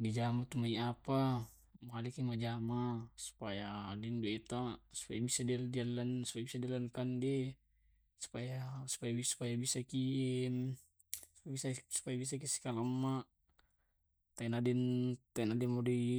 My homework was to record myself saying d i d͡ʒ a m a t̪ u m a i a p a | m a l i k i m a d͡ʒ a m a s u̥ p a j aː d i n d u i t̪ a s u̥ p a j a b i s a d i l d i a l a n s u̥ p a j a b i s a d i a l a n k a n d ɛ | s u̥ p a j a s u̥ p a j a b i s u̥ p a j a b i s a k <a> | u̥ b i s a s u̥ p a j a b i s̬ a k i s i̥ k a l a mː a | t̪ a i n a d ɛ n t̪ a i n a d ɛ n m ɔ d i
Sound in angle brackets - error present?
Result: yes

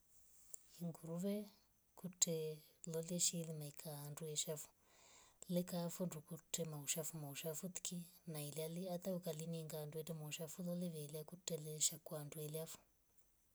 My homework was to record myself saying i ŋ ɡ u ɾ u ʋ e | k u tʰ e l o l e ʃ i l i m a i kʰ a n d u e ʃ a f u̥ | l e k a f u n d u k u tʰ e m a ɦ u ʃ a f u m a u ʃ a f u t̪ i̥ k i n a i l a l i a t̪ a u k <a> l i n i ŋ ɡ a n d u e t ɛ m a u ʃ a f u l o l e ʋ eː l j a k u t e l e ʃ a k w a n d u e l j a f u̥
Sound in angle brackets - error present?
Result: no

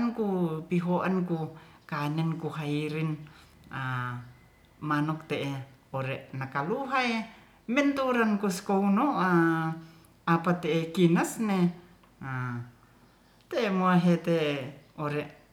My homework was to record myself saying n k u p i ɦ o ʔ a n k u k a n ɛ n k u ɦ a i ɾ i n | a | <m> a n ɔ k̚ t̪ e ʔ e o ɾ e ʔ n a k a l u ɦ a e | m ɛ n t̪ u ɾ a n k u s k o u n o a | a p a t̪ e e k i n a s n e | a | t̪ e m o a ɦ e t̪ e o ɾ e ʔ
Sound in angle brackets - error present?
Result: no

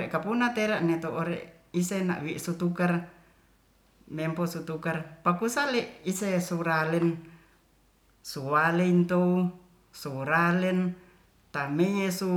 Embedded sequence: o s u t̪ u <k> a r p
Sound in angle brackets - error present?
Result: no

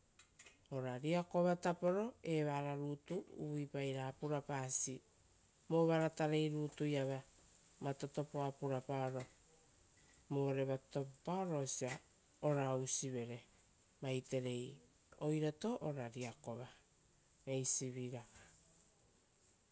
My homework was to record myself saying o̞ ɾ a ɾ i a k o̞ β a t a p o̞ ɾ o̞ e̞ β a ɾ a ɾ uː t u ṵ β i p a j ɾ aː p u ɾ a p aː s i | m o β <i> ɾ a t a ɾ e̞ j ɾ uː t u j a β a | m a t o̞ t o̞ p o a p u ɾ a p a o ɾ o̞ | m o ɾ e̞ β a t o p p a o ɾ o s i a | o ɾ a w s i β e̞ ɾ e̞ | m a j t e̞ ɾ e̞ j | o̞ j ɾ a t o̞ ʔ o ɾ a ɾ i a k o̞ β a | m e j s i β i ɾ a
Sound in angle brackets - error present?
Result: yes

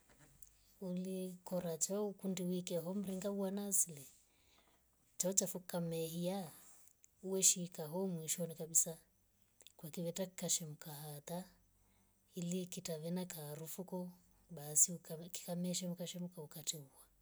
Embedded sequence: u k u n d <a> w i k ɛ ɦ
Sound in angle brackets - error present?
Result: yes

